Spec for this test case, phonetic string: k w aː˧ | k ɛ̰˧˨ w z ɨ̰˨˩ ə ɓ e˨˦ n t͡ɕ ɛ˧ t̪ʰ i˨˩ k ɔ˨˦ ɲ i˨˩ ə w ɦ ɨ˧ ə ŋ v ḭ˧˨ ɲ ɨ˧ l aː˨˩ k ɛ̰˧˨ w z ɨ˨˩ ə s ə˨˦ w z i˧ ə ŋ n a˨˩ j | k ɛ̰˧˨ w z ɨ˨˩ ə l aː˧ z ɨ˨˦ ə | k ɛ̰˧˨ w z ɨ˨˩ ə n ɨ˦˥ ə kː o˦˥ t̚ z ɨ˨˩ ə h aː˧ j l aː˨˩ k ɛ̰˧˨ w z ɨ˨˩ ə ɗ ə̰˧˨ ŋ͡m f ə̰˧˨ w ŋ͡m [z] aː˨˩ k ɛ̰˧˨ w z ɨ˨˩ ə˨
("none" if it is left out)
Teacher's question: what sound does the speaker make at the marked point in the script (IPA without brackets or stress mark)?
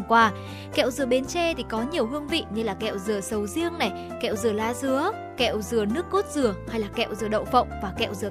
v